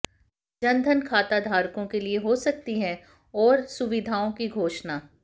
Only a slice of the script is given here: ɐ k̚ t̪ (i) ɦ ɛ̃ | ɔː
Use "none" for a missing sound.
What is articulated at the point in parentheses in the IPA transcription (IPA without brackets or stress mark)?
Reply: i